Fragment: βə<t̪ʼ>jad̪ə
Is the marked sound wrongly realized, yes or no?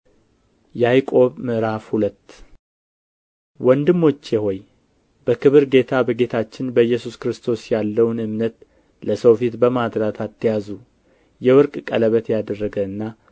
yes